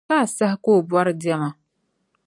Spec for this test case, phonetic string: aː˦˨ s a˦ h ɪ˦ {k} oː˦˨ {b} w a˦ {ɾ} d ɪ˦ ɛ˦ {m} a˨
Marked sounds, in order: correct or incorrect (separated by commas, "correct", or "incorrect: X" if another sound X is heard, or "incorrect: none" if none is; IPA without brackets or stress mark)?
correct, correct, correct, correct